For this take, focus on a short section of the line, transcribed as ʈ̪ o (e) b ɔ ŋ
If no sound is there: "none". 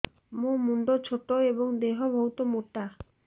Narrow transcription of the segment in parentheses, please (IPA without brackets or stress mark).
e